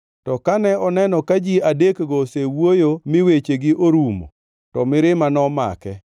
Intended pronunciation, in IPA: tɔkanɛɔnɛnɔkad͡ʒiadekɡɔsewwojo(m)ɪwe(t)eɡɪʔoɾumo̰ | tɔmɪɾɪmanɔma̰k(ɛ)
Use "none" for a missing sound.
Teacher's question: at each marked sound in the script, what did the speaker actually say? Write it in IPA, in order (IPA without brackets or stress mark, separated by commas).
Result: m, t͡ʃ, ɛ